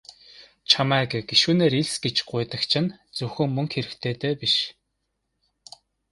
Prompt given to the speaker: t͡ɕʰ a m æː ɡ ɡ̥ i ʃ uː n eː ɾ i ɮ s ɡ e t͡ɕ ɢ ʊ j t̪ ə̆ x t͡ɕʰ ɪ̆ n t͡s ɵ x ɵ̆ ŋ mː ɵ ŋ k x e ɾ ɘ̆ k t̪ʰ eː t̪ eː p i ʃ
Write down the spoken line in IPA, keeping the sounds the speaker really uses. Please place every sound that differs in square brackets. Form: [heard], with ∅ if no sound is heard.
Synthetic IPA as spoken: t͡ɕʰ a m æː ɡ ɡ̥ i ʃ uː n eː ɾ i ɮ s ɡ e t͡ɕ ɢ ʊ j t̪ ə̆ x t͡ɕʰ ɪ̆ n t͡s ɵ x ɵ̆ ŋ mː ɵ ŋ k x e ɾ ɘ̆ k t̪ʰ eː t̪ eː p i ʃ